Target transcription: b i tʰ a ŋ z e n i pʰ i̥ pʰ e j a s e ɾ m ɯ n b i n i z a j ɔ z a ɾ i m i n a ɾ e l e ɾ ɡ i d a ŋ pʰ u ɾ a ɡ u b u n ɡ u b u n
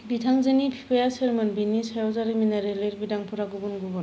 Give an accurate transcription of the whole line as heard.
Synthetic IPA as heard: b i tʰ a ŋ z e n i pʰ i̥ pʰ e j a s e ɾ m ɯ n b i n i s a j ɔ z a ɾ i m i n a ɾ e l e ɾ b i d a ŋ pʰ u ɾ a ɡ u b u n ɡ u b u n